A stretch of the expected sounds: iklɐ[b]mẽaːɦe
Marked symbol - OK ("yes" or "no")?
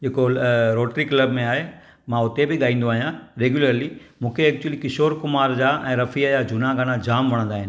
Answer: yes